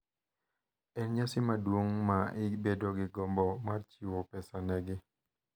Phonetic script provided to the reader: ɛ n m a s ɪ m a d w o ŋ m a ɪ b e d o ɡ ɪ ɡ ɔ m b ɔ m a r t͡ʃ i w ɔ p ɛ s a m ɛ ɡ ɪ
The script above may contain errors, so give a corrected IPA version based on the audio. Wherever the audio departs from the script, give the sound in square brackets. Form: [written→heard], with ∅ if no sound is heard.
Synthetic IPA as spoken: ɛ n [m→ɲ] a s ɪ m a d w o ŋ m a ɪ b e d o ɡ ɪ ɡ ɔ m b ɔ m a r t͡ʃ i w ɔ p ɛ s a [m→n] ɛ ɡ ɪ